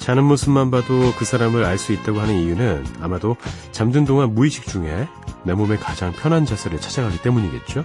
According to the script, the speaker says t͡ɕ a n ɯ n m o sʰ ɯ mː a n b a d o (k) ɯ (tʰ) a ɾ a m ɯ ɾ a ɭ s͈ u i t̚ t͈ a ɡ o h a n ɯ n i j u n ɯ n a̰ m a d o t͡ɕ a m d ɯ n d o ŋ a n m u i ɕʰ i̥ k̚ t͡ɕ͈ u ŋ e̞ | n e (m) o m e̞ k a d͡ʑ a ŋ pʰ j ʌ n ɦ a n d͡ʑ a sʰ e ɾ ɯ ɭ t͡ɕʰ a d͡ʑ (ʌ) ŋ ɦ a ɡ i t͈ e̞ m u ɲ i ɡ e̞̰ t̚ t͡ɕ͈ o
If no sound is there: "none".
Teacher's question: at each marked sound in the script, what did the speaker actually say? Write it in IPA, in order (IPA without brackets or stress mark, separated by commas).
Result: k, sʰ, m, a